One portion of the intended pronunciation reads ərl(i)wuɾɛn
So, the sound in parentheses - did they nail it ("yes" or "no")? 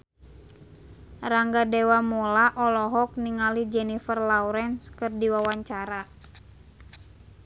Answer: no